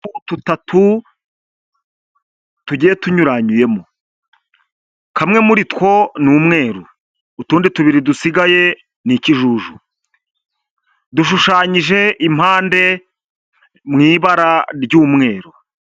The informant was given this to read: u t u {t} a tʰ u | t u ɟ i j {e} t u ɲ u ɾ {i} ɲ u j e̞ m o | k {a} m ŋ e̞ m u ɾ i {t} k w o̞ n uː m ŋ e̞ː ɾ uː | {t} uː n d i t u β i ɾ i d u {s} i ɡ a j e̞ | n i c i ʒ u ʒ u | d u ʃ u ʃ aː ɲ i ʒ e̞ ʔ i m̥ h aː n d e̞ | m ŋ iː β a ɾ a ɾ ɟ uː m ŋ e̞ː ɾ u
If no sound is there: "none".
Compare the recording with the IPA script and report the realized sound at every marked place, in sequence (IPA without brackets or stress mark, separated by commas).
t, e, a, a, t, t, s